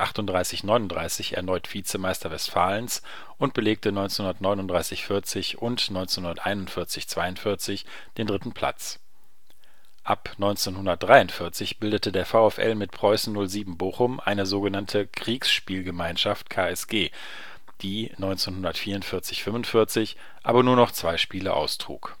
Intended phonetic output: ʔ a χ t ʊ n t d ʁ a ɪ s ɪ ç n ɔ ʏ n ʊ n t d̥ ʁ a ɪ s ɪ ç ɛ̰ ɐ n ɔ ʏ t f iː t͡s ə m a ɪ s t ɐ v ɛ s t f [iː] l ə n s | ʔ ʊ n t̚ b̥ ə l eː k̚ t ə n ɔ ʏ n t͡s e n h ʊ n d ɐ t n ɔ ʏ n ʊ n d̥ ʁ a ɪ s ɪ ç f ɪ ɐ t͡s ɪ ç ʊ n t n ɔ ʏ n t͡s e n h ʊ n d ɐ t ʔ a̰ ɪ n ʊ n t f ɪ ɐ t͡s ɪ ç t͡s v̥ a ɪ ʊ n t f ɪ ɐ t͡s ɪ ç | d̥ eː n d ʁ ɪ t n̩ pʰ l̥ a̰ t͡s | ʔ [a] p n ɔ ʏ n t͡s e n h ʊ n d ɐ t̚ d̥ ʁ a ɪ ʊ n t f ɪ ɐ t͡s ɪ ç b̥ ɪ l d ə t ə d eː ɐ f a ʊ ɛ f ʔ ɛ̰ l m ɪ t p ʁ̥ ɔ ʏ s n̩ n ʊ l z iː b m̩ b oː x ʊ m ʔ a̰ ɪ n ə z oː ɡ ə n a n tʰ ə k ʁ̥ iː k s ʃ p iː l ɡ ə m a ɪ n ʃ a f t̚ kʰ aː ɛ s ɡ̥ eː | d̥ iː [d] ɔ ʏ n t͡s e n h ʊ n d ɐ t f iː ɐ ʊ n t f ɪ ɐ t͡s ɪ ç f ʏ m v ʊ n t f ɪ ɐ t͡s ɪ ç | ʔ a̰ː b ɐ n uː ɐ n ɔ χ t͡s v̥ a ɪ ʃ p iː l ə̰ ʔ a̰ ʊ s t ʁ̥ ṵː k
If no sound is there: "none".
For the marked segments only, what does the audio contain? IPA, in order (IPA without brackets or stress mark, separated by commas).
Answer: aː, a, n